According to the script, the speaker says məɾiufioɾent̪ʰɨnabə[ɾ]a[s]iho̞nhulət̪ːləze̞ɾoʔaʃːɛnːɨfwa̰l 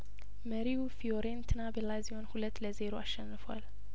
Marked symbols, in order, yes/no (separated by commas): no, no